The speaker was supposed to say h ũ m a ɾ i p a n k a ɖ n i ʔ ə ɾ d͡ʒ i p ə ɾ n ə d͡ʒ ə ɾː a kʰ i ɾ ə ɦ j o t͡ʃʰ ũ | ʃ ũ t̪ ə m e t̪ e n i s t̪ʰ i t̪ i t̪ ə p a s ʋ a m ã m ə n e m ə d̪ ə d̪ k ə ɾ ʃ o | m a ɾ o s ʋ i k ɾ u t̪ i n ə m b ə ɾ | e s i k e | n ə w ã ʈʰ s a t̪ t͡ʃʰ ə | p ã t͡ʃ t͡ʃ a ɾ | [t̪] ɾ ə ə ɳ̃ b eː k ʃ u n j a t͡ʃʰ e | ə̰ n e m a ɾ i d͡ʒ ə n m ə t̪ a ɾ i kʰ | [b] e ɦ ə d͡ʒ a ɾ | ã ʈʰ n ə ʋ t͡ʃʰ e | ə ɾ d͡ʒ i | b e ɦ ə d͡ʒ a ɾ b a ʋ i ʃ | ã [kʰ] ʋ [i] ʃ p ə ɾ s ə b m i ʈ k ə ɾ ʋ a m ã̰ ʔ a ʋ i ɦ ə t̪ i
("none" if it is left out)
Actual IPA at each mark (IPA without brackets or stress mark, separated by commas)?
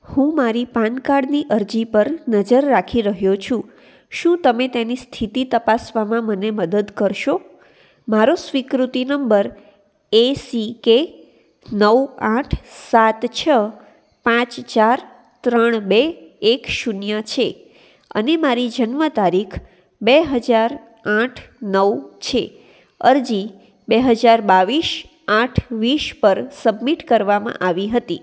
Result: t̪, b, ʈʰ, i